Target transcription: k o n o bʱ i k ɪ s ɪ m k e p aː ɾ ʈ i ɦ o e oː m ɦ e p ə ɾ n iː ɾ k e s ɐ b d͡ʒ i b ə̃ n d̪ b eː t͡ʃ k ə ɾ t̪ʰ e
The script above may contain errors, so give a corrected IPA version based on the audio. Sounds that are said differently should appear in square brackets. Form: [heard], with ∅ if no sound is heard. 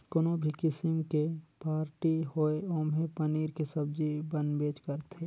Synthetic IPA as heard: k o n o bʱ i k ɪ s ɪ m k e p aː ɾ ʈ i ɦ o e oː m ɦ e p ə [∅] n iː ɾ k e s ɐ b d͡ʒ i b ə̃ n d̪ b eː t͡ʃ k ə ɾ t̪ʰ e